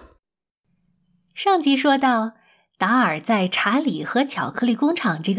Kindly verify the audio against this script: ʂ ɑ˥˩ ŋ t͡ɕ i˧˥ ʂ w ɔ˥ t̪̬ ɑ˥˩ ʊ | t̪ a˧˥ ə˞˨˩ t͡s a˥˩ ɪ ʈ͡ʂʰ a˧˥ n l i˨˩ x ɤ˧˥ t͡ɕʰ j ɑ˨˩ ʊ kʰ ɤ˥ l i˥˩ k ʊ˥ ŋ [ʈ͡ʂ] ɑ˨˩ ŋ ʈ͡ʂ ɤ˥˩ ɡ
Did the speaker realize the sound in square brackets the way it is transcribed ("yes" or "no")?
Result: no